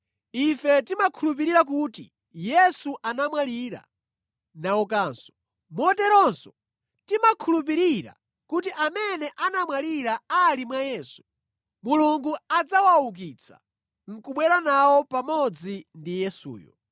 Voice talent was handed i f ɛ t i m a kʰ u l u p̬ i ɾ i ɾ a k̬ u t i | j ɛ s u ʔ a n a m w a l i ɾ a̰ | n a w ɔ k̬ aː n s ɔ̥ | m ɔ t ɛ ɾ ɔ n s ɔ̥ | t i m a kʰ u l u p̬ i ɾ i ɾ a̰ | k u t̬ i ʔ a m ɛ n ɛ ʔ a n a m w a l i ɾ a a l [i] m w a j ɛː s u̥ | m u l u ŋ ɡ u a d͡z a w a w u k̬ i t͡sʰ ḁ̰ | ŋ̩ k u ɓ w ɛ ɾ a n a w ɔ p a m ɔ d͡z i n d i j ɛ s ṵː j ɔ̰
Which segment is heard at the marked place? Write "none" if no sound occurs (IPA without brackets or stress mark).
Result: i